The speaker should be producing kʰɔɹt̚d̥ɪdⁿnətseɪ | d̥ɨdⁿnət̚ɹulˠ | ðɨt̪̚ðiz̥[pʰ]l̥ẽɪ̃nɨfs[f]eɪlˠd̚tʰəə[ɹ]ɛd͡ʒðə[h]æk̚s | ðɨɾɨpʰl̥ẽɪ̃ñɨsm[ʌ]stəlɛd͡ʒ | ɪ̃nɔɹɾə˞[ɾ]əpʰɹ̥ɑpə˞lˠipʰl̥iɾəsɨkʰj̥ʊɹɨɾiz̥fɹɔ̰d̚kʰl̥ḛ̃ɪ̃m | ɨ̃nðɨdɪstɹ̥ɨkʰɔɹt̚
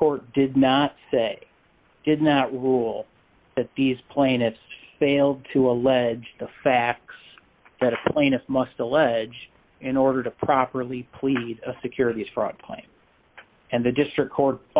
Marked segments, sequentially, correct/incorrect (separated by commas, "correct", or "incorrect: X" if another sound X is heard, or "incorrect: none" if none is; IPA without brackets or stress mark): correct, correct, incorrect: l, incorrect: f, correct, correct